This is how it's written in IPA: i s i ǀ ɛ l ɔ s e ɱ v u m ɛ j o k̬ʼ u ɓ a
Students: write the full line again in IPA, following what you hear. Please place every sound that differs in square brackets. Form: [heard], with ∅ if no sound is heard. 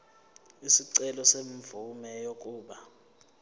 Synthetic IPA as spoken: i s i ǀ ɛ l ɔ s e ɱ v u m ɛ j o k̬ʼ [uː] ɓ a